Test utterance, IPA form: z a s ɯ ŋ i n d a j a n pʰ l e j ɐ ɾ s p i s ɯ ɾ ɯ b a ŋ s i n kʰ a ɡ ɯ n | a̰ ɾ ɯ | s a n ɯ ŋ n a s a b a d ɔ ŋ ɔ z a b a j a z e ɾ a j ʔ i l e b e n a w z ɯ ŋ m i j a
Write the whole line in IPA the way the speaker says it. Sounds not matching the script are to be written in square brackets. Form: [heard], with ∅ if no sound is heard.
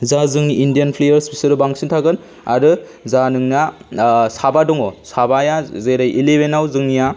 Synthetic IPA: z a [z] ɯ ŋ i n d [i] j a n pʰ l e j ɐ ɾ s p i s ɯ ɾ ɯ b a ŋ s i n [tʰ] a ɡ ɯ n | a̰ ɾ ɯ | [z] a n ɯ ŋ n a s a b a d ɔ ŋ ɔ [s] a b a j a z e ɾ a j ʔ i l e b e n a w z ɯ ŋ [n] i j a